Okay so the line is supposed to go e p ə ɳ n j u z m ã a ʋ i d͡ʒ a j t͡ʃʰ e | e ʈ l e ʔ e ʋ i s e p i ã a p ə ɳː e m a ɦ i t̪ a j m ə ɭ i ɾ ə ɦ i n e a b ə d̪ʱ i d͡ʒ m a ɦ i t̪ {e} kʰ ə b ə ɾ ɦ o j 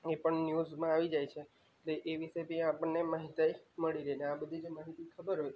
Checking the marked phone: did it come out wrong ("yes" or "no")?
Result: yes